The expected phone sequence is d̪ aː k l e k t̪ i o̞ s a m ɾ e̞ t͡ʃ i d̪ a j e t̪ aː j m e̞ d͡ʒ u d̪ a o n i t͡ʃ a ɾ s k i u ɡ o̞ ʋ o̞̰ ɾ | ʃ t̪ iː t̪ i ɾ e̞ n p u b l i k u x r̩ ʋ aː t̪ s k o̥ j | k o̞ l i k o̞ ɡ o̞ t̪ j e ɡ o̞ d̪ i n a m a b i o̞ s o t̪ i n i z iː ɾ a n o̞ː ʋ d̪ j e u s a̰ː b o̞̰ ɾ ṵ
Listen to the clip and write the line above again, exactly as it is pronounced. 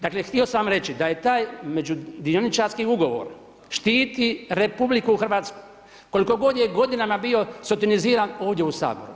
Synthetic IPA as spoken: d̪ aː k l e x t̪ i o̞ s a m ɾ e̞ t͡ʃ i d̪ a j e t̪ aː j m e̞ d͡ʒ u d̪ i o n i t͡ʃ a ɾ s k i u ɡ o̞ ʋ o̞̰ ɾ | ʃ t̪ iː t̪ i ɾ e̞ p u b l i k u x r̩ ʋ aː t̪ s k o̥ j | k o̞ l i k o̞ ɡ o̞ d̪ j e ɡ o̞ d̪ i n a m a b i o̞ s o t̪ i n i z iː ɾ a n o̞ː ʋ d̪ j e u s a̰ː b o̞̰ ɾ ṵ